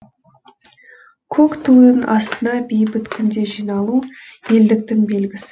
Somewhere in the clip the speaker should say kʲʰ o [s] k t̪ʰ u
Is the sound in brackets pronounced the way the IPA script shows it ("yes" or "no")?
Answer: no